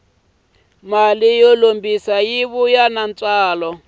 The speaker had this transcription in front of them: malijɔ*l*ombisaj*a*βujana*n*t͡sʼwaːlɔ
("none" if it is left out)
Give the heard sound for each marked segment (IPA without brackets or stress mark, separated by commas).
l, i, n